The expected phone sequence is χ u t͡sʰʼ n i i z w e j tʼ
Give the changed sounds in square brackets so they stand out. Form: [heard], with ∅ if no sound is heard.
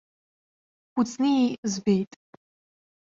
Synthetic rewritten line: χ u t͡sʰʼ n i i z [b] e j tʼ